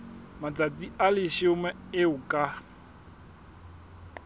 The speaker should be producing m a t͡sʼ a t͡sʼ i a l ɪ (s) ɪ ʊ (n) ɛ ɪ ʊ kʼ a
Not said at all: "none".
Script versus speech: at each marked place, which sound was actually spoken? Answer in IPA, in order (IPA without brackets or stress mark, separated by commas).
ʃ, m